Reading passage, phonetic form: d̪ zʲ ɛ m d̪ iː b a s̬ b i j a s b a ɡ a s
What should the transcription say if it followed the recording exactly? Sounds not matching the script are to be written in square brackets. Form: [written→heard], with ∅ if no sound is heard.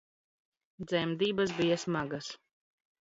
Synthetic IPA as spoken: d̪ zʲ ɛ m d̪ iː b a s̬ b i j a s [b→m] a ɡ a s

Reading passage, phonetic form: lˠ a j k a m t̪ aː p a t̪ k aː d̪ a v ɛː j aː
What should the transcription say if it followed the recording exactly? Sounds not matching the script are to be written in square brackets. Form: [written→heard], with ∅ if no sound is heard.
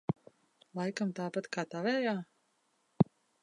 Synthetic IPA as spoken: lˠ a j k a m t̪ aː p a t̪ k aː [d̪→t̪] a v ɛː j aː

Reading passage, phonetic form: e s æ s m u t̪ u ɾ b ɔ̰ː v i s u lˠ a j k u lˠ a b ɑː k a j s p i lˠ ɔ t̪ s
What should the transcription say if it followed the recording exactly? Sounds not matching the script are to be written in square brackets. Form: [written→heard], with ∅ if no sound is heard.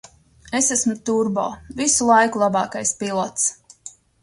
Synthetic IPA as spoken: e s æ s m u t̪ u ɾ b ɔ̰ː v i s u lˠ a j k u lˠ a b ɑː k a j s p i lˠ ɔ t̪ s

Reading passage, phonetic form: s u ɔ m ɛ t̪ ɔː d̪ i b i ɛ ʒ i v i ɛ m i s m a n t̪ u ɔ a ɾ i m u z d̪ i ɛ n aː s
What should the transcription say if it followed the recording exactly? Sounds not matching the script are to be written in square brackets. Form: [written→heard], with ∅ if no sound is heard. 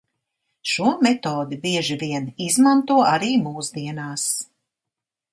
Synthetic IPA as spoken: [s→ʃ] u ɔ m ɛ t̪ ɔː d̪ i b i ɛ ʒ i v i ɛ [m→n] i [s→z] m a n t̪ u ɔ a ɾ [i→iː] m [u→uː] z d̪ i ɛ n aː s

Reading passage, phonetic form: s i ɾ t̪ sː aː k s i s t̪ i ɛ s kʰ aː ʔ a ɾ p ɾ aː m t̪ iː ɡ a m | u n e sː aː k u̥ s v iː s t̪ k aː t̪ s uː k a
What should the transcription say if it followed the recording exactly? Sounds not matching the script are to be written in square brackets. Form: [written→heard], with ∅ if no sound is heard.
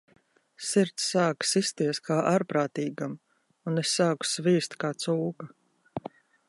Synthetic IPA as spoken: s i ɾ t̪ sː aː k s i s t̪ i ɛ s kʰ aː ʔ a ɾ p ɾ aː [m→∅] t̪ iː ɡ a m | u n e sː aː k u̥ s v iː s t̪ k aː t̪ s uː k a

